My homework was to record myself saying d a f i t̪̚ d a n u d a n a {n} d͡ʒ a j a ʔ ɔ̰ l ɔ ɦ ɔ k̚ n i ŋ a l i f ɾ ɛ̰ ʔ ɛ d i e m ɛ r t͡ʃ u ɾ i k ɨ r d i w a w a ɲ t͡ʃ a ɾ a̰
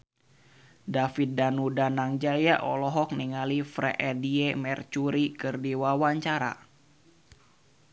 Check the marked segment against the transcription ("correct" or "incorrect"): incorrect